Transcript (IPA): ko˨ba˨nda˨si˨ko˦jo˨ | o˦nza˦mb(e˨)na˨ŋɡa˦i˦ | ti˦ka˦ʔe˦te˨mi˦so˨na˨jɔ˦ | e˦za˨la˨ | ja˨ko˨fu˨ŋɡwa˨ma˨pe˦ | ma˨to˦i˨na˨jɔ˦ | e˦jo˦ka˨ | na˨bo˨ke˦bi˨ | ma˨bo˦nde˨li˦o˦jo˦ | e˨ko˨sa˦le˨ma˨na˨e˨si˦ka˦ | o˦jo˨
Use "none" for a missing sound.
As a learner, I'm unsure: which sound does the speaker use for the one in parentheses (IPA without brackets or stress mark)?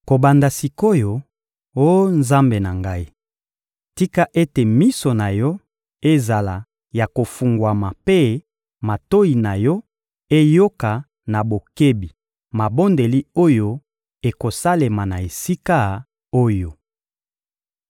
e˨